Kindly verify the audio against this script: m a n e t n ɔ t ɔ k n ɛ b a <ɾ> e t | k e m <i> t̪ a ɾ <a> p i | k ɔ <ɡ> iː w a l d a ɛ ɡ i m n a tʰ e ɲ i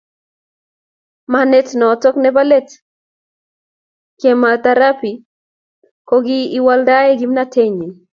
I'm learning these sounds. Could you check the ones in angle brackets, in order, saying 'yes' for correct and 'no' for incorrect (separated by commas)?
no, no, yes, yes